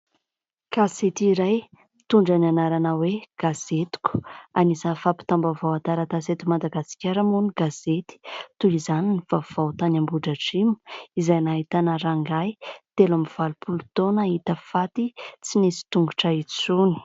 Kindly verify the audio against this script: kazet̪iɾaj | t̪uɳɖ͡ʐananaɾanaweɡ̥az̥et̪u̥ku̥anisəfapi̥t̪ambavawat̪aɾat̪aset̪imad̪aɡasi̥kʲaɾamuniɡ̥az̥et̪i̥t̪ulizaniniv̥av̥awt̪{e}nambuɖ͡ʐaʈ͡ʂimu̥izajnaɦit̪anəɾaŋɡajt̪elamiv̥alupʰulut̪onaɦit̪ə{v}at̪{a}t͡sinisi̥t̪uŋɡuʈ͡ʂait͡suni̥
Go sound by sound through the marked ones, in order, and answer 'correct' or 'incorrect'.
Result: incorrect: a, incorrect: f, incorrect: i

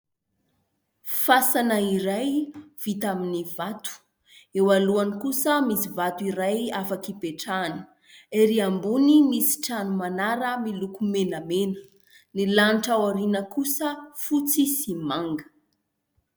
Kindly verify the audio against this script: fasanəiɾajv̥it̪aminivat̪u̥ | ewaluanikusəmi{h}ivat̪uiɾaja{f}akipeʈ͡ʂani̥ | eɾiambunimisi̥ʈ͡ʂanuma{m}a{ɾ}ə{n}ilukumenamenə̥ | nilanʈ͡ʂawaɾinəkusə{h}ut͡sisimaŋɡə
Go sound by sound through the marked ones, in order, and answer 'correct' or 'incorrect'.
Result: incorrect: s, correct, incorrect: n, correct, incorrect: m, incorrect: f

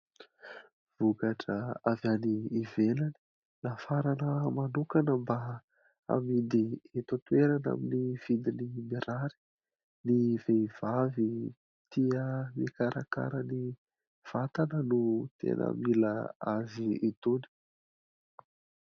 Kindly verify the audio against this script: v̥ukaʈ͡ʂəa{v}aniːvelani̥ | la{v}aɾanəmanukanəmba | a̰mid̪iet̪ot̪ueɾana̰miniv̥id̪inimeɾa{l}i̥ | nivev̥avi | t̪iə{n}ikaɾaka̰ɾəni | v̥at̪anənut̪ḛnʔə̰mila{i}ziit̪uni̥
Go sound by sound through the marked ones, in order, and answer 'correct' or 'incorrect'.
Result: correct, incorrect: f, incorrect: ɾ, incorrect: m, incorrect: a

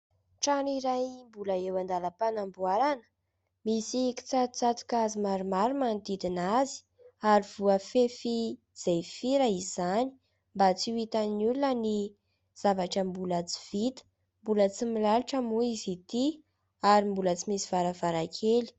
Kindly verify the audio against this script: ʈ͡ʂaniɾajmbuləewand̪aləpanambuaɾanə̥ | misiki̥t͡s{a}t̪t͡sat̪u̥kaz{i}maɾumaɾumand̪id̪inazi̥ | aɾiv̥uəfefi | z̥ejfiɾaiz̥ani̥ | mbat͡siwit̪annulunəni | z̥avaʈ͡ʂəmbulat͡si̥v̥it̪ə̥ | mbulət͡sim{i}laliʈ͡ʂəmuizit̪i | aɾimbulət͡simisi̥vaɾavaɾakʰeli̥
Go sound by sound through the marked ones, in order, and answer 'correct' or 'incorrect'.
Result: correct, correct, correct

